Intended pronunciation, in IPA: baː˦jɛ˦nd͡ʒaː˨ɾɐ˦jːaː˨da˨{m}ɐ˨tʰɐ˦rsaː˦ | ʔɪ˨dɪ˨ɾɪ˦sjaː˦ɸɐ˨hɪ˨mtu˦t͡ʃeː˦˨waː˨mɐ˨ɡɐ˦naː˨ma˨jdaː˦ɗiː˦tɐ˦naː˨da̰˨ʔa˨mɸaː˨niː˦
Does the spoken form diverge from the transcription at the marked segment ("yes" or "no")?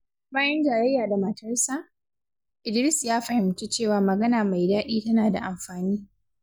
no